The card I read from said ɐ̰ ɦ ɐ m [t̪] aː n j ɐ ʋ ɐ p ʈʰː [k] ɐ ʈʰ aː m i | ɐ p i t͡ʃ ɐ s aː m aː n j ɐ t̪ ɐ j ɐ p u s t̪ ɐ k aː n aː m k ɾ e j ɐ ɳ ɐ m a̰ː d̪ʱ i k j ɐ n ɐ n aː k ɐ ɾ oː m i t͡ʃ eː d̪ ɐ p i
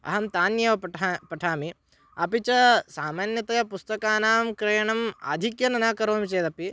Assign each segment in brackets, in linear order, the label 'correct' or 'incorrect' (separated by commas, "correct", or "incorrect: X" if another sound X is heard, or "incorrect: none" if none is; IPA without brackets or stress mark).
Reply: correct, incorrect: p